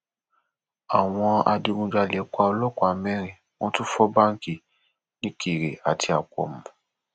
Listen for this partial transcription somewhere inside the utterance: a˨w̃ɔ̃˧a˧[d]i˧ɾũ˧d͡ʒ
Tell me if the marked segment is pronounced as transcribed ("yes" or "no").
yes